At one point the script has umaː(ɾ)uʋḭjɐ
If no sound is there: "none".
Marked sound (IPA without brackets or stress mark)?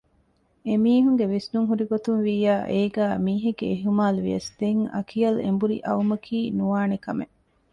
l